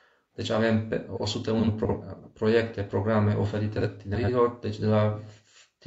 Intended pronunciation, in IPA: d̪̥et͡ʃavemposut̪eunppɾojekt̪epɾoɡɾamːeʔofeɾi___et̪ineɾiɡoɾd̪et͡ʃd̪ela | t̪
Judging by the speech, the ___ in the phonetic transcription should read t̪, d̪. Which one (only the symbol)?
t̪